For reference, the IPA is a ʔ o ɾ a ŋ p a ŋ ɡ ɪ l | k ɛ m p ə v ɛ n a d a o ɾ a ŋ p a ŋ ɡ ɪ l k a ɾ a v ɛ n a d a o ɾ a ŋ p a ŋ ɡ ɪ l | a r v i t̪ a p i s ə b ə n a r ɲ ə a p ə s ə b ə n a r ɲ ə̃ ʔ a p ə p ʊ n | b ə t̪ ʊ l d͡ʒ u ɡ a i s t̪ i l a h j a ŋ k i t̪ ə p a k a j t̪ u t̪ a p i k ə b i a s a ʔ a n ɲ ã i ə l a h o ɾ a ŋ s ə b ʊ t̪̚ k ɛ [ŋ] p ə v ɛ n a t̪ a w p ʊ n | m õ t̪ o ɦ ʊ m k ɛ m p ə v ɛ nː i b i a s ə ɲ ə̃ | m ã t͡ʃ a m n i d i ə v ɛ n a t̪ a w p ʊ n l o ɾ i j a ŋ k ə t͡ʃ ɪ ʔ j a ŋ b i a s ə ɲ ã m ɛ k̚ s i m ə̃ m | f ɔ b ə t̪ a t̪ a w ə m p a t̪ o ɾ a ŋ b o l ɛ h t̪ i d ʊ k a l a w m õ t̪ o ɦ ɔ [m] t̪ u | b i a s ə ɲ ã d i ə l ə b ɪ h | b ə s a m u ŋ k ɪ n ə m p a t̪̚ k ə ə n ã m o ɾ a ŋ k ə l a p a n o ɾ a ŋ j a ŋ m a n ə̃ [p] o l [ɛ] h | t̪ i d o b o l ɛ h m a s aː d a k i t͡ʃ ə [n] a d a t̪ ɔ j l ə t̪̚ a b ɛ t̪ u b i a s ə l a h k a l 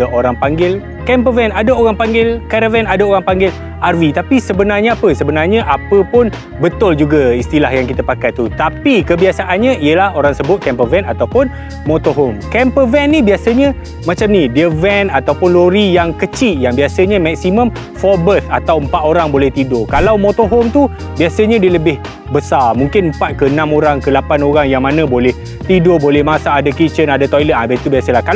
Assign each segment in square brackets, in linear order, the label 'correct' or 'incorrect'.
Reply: incorrect: m, correct, incorrect: b, correct, correct

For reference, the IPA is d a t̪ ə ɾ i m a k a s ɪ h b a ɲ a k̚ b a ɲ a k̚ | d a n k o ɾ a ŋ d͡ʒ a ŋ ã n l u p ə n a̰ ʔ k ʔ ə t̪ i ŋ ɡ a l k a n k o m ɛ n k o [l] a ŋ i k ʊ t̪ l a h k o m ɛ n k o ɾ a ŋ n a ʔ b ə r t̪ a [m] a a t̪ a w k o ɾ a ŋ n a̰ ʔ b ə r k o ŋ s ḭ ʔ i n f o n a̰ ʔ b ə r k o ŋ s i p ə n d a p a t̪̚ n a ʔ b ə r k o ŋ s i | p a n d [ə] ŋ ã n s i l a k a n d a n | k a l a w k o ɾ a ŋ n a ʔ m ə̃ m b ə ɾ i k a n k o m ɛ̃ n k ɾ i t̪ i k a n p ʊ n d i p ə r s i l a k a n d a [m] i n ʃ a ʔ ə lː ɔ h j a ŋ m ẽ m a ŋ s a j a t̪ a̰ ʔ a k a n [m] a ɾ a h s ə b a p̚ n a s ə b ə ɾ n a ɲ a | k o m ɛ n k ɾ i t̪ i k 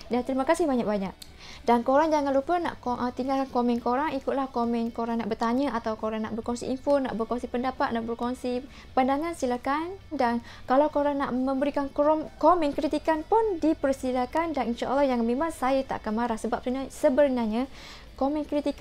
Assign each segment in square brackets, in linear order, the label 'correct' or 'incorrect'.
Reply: incorrect: ɾ, incorrect: ɲ, incorrect: a, incorrect: n, correct

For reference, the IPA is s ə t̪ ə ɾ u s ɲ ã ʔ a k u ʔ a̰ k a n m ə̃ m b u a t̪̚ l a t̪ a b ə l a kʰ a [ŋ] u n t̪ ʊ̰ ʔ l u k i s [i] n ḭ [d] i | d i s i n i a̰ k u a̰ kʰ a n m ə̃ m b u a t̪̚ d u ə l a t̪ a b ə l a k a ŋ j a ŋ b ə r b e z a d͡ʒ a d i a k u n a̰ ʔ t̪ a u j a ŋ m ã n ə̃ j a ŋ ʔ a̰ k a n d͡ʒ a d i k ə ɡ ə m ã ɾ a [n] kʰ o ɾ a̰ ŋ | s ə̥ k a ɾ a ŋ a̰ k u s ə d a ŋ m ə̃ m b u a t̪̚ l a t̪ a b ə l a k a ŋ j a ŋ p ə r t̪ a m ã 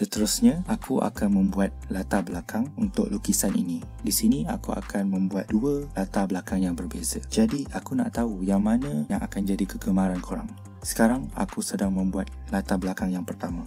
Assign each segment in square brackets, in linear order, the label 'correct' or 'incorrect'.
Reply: correct, incorrect: a, incorrect: n, correct

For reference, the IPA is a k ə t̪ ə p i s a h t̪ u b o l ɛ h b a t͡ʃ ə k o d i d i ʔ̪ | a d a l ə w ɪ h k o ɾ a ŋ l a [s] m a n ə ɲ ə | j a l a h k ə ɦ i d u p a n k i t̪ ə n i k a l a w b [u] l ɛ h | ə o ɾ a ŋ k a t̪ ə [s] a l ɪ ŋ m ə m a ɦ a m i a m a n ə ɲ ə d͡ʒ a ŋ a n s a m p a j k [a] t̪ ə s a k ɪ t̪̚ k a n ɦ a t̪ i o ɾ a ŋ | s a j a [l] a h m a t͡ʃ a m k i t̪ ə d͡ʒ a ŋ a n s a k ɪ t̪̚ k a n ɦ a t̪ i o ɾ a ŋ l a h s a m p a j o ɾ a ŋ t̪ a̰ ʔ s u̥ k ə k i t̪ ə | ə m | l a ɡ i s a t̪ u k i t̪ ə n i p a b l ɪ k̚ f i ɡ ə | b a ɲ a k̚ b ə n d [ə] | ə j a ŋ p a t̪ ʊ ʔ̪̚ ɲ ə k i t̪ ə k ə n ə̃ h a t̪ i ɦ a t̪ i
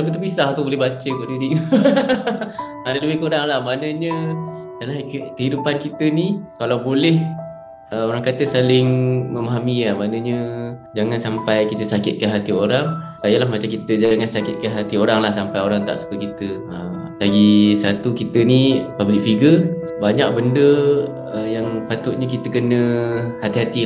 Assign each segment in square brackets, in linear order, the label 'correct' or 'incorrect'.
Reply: incorrect: h, incorrect: o, correct, incorrect: i, correct, correct

